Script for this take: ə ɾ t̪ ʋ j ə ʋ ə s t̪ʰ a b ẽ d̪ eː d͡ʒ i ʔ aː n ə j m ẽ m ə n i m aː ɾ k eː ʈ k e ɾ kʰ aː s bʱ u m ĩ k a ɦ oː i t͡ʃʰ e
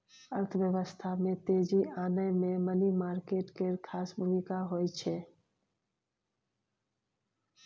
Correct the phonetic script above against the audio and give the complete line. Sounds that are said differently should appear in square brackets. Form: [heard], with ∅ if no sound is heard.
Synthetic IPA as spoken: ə ɾ [t̪ʰ] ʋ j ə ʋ ə s t̪ʰ a [m] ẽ [t̪] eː d͡ʒ i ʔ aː n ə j m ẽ m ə n i m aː ɾ k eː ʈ k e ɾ kʰ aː s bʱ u m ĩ k a ɦ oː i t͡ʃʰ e